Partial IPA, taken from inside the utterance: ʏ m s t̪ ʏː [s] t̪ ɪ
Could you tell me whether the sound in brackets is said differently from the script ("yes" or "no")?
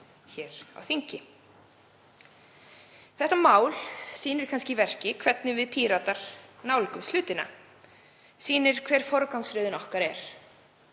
yes